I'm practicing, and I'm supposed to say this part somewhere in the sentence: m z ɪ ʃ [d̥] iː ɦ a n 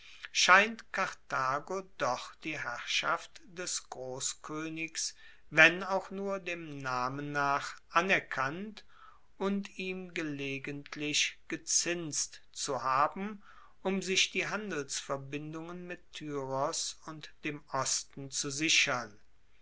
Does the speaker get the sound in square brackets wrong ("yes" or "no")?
no